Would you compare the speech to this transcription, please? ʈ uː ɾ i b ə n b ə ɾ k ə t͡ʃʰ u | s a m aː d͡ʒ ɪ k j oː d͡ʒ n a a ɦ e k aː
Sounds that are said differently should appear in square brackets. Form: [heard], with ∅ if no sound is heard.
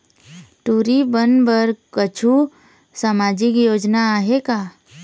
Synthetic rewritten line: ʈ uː ɾ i b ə n b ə ɾ k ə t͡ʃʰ u | s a m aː d͡ʒ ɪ k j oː d͡ʒ n a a ɦ e k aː